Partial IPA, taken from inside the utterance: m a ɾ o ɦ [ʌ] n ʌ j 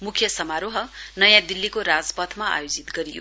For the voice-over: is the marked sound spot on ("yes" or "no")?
yes